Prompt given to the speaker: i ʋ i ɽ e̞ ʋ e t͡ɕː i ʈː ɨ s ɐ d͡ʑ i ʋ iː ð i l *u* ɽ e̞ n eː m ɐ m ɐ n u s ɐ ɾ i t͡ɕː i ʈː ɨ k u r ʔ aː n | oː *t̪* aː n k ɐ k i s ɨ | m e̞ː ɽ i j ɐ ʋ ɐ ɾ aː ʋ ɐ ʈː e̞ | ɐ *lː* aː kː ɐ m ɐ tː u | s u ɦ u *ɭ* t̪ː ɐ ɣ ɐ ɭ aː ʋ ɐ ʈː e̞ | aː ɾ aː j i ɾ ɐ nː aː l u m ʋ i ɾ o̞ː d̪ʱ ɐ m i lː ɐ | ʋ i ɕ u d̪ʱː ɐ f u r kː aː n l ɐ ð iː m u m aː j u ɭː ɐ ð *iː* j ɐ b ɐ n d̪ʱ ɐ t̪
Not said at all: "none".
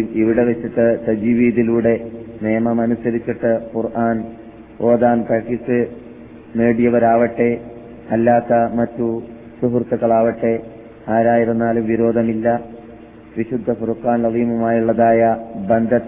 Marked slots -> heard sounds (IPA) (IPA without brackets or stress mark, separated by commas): uː, d̪, lː, r, aː